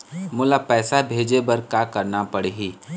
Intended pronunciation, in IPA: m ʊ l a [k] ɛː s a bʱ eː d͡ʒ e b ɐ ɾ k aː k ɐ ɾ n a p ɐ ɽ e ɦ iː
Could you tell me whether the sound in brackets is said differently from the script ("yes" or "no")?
yes